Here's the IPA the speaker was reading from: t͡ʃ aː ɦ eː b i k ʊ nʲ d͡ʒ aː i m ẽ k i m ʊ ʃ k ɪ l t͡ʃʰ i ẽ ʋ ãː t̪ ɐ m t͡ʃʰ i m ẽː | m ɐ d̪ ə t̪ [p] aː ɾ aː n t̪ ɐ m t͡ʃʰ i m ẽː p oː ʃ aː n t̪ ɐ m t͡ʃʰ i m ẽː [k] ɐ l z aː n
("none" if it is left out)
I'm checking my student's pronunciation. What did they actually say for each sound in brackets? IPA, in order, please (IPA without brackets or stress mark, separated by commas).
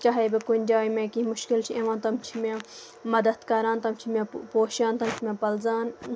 k, p